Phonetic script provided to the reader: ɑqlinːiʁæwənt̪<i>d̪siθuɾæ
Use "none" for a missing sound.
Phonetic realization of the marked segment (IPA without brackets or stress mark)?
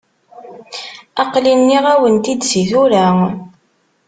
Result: i